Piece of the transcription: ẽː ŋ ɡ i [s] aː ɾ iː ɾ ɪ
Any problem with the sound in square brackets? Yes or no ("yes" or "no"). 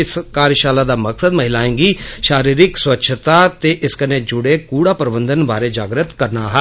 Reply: yes